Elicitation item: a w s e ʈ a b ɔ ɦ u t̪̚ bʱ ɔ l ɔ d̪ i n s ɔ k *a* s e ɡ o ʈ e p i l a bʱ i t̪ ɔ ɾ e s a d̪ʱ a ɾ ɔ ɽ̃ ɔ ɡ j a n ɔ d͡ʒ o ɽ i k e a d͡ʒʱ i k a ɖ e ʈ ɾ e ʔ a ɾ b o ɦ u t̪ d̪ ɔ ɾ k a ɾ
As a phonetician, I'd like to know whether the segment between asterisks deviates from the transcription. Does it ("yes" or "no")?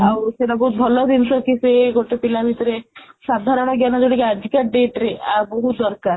yes